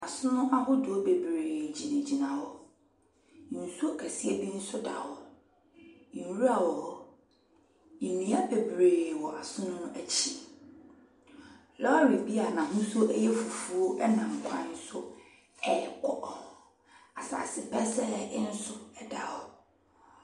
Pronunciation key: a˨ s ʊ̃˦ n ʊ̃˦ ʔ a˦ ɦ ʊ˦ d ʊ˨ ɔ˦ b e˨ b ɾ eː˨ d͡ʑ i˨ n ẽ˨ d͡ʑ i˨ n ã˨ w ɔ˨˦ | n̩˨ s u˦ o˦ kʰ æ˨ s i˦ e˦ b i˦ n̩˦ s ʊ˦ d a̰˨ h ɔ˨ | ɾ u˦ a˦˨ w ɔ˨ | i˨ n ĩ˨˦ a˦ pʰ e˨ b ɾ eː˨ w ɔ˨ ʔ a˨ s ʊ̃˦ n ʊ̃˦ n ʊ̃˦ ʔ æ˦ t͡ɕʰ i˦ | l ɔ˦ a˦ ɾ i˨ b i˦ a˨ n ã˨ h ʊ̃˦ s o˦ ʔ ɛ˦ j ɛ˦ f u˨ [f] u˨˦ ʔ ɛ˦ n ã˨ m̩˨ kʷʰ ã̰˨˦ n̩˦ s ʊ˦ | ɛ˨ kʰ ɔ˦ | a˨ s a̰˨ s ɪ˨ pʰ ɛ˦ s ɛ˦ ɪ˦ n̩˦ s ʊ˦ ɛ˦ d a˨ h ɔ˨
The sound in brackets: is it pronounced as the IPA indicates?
yes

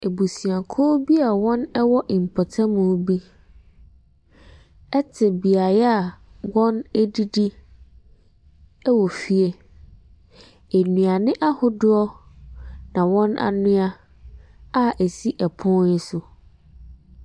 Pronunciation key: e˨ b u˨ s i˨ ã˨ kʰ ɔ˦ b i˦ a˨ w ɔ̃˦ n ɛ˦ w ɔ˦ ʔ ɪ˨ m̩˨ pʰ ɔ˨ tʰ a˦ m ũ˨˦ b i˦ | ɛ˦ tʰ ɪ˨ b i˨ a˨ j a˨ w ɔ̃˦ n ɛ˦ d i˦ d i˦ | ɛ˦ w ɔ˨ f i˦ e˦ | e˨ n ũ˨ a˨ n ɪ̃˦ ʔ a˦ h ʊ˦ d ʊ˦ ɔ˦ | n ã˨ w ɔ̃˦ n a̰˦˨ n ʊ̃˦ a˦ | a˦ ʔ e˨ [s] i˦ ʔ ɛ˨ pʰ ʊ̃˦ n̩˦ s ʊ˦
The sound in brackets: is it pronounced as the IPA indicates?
yes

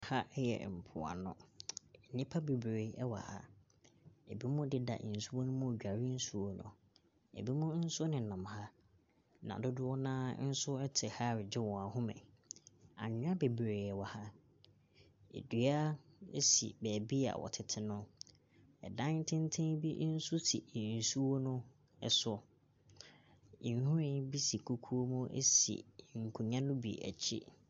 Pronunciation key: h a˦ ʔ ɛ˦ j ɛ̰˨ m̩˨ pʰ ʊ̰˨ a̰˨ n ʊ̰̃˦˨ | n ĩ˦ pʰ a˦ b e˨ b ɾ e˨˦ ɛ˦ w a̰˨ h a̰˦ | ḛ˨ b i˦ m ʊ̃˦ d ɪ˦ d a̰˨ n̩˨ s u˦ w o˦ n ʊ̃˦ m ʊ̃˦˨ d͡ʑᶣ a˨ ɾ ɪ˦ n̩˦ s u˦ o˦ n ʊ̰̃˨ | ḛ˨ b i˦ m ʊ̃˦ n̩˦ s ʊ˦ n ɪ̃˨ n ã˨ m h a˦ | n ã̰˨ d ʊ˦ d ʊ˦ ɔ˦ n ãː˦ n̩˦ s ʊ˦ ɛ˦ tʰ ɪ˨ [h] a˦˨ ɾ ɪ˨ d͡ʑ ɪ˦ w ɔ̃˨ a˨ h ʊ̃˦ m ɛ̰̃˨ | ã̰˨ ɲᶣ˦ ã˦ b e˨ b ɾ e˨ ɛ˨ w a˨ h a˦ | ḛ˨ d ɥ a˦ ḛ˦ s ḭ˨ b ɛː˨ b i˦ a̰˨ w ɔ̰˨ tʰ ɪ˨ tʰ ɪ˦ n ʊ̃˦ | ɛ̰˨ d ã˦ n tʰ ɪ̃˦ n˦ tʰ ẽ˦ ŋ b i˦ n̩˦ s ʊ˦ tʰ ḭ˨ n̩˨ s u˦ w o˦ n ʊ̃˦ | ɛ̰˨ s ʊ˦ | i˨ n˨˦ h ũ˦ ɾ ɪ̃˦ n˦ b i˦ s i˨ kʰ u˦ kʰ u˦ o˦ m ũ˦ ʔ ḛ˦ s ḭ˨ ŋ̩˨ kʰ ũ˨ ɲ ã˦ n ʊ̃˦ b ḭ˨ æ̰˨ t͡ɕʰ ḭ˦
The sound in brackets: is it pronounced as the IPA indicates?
yes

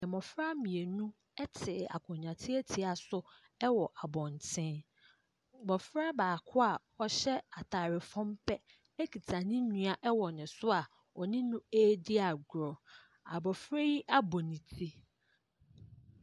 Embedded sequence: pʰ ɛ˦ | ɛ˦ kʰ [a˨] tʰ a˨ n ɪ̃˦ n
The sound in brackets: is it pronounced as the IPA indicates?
no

